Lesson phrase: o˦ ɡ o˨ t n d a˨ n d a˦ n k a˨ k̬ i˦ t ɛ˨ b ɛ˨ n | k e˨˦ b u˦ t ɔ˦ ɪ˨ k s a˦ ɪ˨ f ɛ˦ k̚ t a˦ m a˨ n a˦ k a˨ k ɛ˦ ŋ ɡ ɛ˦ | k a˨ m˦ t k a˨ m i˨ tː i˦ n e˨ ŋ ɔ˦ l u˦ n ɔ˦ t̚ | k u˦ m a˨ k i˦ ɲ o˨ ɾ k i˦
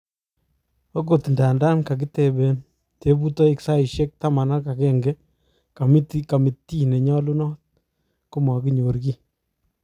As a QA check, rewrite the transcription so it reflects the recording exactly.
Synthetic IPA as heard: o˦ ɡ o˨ t n d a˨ n d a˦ n k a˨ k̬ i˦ t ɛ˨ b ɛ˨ n | t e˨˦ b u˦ t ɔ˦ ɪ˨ k s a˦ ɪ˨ ʃ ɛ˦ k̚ t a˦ m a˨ n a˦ k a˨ k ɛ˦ ŋ ɡ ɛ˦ | k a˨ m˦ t k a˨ m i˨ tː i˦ n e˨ ɲ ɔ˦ l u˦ n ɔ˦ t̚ | k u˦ m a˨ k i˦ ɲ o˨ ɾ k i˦